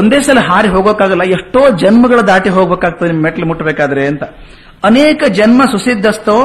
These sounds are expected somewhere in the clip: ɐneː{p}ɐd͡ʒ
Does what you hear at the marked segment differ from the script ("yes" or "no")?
yes